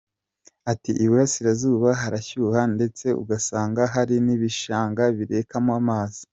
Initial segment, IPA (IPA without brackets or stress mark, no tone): a